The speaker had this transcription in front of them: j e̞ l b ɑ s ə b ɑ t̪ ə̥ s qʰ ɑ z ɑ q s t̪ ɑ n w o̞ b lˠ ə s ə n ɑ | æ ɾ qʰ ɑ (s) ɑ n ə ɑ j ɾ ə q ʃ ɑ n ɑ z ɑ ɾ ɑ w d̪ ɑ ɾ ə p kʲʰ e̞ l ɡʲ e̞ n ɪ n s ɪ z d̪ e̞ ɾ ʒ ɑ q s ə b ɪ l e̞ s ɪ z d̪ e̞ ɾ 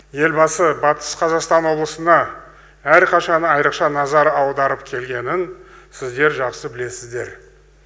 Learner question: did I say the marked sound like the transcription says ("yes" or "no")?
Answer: no